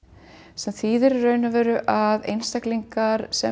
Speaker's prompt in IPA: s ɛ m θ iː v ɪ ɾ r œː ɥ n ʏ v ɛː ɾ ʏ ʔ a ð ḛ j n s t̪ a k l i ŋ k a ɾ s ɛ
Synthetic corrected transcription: s ɛ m θ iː ð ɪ ɾ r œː ɥ n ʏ v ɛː ɾ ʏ ʔ a ð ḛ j n s t̪ a k l i ŋ k a ɾ s ɛ